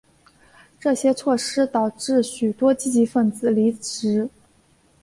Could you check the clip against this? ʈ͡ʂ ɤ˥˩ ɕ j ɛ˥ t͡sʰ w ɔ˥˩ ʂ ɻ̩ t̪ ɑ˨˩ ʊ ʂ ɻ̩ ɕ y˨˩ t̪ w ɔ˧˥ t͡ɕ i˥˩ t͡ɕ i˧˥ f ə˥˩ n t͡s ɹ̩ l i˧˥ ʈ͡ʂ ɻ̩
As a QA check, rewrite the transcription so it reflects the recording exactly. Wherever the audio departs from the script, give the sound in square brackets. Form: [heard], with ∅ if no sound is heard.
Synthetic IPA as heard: ʈ͡ʂ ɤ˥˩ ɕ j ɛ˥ t͡sʰ w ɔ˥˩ ʂ ɻ̩ t̪ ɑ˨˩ ʊ [ʈ͡ʂ] ɻ̩ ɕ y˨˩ t̪ w [ɔ˥] t͡ɕ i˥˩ t͡ɕ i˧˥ f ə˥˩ n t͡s ɹ̩ l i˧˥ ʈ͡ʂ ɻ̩